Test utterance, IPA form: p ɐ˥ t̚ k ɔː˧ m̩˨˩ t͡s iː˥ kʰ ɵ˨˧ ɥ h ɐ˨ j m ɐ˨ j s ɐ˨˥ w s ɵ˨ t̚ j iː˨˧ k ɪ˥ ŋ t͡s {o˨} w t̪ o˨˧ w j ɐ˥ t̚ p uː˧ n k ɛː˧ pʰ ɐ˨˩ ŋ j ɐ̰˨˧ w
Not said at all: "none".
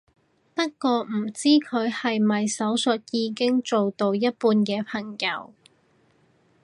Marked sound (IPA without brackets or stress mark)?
o˨